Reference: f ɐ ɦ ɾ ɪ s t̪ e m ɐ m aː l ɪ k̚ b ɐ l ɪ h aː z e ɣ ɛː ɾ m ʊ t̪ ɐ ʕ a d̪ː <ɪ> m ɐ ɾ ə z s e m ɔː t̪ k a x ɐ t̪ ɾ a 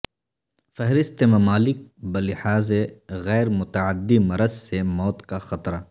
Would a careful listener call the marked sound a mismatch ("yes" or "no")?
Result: yes